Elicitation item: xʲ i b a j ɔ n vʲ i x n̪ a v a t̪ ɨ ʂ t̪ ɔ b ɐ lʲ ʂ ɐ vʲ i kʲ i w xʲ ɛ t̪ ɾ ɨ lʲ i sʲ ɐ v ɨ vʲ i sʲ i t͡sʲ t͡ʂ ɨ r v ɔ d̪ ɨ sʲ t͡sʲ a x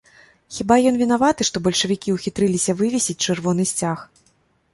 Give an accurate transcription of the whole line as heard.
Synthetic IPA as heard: xʲ i b a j ɔ n vʲ i n̪ a v a t̪ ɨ ʂ t̪ ɔ b ɐ lʲ ʂ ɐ vʲ i kʲ i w xʲ i t̪ ɾ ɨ lʲ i sʲ ɐ v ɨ vʲ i sʲ i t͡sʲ t͡ʂ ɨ r v ɔ n̪ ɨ sʲ t͡sʲ a x